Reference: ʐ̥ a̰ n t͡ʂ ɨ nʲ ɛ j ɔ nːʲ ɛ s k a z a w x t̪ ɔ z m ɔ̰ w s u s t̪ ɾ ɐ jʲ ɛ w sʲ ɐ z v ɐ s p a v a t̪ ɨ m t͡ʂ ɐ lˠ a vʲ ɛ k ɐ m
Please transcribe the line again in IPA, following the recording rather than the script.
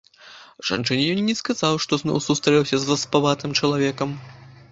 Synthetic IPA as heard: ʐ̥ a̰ n t͡ʂ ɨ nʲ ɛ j ɔ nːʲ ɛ s k a z a w ʂ t̪ ɔ z n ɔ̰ w s u s t̪ ɾ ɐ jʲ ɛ w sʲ ɐ z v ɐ s p a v a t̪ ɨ m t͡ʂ ɐ lˠ a vʲ ɛ k ɐ m